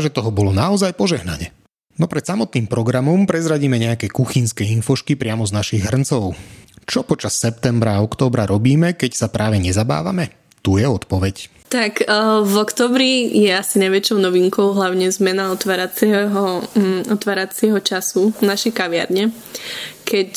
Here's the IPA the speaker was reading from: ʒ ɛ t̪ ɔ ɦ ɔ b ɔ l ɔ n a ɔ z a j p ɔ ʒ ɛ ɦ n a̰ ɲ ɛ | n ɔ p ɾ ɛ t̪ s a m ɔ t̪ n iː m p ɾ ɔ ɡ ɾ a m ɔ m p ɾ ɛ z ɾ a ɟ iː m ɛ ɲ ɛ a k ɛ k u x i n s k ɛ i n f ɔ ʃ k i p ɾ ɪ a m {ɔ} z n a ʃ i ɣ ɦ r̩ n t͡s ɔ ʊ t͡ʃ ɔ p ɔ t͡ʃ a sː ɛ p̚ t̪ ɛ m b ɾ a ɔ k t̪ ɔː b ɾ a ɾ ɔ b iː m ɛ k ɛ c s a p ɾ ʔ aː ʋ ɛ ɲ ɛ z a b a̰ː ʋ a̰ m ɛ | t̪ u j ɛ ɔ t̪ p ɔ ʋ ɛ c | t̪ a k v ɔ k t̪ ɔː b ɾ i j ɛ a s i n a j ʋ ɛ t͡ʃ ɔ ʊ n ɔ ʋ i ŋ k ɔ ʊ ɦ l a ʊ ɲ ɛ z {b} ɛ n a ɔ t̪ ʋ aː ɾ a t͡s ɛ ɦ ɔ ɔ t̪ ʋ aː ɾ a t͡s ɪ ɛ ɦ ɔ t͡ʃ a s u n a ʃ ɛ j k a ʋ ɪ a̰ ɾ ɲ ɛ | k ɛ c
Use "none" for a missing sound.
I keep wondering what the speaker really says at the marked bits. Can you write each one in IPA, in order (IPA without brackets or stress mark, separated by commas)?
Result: ɔ, m